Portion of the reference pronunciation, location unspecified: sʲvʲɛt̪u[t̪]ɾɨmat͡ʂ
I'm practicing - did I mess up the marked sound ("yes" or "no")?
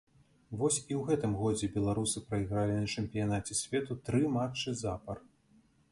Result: no